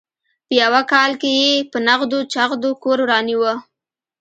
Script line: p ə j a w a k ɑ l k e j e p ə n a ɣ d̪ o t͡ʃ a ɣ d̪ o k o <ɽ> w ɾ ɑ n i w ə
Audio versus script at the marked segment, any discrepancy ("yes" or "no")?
yes